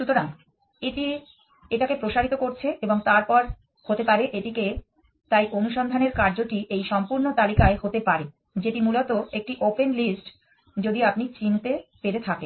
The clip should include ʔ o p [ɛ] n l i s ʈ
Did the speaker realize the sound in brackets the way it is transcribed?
no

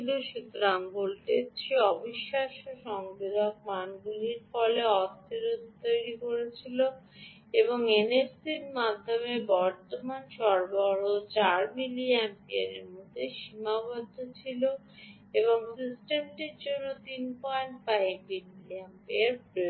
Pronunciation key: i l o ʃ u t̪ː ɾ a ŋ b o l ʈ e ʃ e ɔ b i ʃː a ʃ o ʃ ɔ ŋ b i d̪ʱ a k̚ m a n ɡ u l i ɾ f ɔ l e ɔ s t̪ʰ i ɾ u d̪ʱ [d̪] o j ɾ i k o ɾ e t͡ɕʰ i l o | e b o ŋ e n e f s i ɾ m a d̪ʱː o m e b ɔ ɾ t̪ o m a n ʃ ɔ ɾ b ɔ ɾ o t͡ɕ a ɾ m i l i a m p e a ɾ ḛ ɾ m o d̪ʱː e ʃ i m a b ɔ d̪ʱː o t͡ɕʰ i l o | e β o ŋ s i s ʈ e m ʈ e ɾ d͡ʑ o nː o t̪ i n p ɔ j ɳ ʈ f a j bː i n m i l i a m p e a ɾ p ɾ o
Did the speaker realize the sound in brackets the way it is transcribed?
no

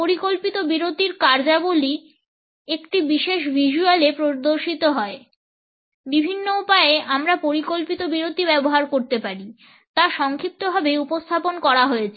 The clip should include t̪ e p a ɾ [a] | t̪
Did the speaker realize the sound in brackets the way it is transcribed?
no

